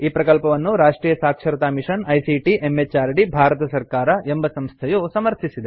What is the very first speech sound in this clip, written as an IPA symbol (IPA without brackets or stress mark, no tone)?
iː